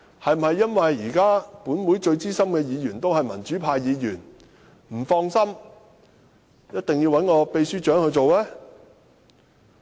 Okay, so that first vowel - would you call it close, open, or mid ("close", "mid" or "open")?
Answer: open